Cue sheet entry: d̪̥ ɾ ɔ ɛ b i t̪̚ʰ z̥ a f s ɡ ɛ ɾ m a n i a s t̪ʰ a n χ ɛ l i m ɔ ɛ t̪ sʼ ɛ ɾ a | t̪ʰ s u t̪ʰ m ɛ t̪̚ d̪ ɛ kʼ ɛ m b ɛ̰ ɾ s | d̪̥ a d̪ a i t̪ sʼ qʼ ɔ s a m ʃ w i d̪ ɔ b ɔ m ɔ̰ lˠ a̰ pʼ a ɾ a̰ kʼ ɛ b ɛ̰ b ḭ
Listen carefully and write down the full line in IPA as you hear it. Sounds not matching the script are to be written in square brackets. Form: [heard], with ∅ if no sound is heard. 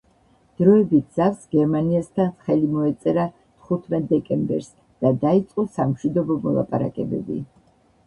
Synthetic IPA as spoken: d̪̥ ɾ ɔ ɛ b i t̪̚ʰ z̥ a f s ɡ ɛ ɾ m a n i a s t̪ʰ a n χ ɛ l i m ɔ ɛ t̪ sʼ ɛ ɾ a | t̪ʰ [χ] u t̪ʰ m ɛ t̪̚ d̪ ɛ kʼ ɛ m b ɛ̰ ɾ s | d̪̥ a d̪ a i t̪ sʼ qʼ ɔ s a m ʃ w i d̪ ɔ b ɔ m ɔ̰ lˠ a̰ pʼ a ɾ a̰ kʼ ɛ b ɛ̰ b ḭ